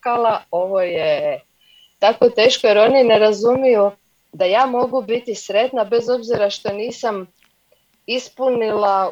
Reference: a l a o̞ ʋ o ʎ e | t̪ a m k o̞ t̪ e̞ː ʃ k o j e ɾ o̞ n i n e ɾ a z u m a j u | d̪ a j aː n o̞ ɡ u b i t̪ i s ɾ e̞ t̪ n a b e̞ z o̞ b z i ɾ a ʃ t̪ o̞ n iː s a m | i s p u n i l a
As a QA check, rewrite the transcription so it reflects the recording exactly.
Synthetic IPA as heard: a l a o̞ ʋ o j e | t̪ a k o̞ t̪ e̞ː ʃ k o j e ɾ o̞ n i n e ɾ a z u m i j u | d̪ a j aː m o̞ ɡ u b i t̪ i s ɾ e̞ t̪ n a b e̞ z o̞ b z i ɾ a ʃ t̪ o̞ n iː s a m | i s p u n i l a